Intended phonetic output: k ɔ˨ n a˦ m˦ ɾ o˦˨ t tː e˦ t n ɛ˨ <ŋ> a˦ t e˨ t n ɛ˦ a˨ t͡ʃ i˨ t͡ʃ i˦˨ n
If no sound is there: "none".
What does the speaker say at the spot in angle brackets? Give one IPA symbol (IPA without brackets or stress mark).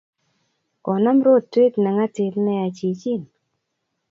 ŋ